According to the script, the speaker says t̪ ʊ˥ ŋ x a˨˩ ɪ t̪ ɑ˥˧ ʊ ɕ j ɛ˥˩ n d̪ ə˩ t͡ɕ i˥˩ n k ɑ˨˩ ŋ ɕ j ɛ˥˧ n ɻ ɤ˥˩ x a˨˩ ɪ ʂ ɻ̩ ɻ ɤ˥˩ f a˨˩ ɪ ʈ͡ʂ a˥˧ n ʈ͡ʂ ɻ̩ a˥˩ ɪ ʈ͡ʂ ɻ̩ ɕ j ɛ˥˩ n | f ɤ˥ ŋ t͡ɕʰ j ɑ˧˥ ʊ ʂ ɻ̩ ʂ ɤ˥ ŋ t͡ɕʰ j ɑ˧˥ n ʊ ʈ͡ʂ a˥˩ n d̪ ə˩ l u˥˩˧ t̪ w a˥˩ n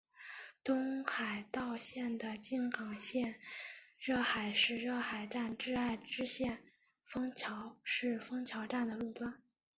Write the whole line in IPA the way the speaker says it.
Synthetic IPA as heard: t̪ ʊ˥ ŋ x a˨˩ ɪ t̪ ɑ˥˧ ʊ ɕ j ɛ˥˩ n d̪ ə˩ t͡ɕ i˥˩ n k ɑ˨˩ ŋ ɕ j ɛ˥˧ n ɻ ɤ˥˩ x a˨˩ ɪ ʂ ɻ̩ ɻ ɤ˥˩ x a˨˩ ɪ ʈ͡ʂ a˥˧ n ʈ͡ʂ ɻ̩ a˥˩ ɪ ʈ͡ʂ ɻ̩ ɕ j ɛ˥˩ n | f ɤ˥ ŋ t͡ɕʰ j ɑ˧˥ ʊ ʂ ɻ̩ f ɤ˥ ŋ t͡ɕʰ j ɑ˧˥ ʊ ʈ͡ʂ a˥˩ n d̪ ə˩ l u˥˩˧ t̪ w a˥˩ n